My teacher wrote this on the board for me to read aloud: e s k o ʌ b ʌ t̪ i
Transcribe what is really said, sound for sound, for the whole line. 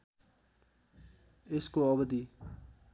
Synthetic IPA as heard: e s k o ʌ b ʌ d̪ i